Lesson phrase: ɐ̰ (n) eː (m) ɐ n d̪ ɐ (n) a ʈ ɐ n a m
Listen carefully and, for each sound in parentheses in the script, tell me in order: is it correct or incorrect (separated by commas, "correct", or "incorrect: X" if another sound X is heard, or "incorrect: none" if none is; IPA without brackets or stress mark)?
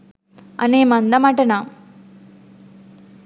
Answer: correct, correct, incorrect: m